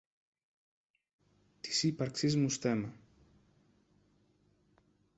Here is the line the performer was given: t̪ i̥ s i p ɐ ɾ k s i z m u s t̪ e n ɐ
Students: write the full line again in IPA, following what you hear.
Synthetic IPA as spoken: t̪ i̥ s i p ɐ ɾ k s i z m u s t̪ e m ɐ